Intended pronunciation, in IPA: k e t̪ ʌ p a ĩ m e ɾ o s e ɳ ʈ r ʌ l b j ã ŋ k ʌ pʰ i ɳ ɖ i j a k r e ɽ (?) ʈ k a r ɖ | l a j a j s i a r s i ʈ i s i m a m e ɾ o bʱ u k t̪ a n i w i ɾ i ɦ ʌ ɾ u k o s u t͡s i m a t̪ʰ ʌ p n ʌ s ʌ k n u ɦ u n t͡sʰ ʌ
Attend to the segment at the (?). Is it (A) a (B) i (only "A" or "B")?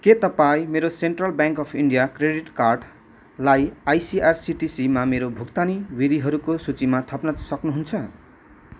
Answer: B